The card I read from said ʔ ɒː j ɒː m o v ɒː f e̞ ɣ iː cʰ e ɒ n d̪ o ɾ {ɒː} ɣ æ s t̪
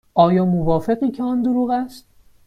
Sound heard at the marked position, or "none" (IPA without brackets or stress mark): uː